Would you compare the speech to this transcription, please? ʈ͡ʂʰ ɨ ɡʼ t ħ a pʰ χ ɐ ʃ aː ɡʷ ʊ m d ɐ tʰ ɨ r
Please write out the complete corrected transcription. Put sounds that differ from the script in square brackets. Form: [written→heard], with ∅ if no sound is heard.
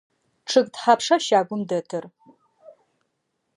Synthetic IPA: ʈ͡ʂʰ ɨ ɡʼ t ħ a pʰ [χ→ʂ] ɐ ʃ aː ɡʷ ʊ m d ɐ tʰ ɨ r